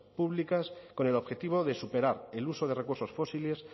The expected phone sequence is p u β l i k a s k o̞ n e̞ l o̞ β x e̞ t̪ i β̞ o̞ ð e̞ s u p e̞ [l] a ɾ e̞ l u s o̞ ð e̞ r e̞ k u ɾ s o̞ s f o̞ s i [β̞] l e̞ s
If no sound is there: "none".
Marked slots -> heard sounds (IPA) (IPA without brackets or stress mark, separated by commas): ɾ, none